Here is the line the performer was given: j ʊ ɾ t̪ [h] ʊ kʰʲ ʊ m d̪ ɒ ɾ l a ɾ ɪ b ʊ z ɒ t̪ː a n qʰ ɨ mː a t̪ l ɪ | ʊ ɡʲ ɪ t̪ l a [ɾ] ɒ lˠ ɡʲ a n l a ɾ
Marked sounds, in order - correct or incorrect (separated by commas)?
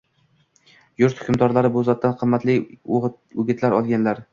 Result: correct, correct